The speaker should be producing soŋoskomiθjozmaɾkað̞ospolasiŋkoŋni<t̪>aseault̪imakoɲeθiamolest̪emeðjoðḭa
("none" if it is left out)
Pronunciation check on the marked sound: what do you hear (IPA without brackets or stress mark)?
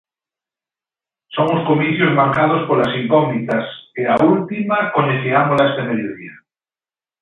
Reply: t̪